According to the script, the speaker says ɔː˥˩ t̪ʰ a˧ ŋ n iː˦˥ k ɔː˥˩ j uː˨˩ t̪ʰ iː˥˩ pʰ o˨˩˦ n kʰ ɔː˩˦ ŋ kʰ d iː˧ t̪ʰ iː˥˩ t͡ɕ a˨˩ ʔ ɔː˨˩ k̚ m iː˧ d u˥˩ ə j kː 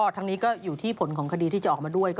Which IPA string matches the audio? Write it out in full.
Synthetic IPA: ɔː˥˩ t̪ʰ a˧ ŋ n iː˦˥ k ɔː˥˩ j uː˨˩ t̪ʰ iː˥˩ pʰ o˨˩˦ n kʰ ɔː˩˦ ŋ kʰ d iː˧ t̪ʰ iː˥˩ t͡ɕ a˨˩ ʔ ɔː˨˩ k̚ m aː˧ d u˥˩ ə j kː

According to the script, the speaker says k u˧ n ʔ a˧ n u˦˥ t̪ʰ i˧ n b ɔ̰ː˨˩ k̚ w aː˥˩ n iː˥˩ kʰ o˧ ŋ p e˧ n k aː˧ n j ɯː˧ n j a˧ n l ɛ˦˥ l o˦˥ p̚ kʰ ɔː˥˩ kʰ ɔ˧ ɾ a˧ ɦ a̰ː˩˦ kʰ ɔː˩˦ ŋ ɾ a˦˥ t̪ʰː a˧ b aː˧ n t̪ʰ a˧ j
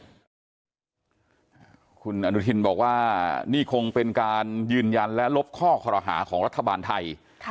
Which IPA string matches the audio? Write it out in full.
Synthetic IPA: kʰ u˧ n ʔ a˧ n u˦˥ t̪ʰ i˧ n b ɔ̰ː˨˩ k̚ w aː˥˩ n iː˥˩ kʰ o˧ ŋ p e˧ n k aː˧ n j ɯː˧ n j a˧ n l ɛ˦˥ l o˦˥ p̚ kʰ ɔː˥˩ kʰ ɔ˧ ɾ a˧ ɦ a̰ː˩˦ kʰ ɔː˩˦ ŋ ɾ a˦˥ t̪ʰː a˧ b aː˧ n t̪ʰ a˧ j

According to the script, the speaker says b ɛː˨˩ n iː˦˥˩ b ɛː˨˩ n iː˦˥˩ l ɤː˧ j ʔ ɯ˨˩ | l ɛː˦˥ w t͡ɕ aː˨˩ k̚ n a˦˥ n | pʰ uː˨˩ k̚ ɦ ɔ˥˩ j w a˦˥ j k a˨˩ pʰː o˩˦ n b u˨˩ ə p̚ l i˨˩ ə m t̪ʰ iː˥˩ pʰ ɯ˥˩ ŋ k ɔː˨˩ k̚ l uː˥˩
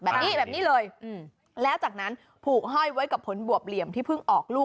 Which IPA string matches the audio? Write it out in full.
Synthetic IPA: b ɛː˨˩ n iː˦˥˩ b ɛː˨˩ n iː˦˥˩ l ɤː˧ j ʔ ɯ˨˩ | l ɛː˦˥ w t͡ɕ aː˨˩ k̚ n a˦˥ n | pʰ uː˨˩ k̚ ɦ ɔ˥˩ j w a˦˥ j k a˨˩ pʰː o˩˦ n b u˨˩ ə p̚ l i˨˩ ə m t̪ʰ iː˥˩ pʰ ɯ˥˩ ŋ ʔ ɔː˨˩ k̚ l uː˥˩

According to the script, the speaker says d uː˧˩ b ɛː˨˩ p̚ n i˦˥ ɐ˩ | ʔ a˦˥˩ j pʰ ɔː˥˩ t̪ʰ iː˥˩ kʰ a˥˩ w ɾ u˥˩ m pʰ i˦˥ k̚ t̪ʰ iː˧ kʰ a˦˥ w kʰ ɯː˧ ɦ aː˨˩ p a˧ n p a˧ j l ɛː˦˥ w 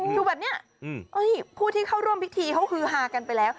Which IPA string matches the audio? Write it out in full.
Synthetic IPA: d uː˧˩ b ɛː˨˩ p̚ n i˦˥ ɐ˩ | ʔ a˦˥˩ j pʰ uː˥˩ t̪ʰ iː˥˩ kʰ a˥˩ w ɾ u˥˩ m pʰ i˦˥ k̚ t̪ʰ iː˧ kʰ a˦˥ w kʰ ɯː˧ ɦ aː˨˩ k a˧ n p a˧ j l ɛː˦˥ w

